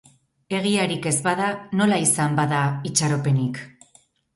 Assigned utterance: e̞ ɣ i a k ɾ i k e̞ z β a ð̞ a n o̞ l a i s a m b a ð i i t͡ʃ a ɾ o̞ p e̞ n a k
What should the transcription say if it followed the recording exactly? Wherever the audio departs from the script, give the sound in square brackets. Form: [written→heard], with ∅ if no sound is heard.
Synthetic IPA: e̞ ɣ i a [k→∅] ɾ i k e̞ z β a ð̞ a n o̞ l a i s a m b a ð [i→a] i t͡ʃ a ɾ o̞ p e̞ n [a→i] k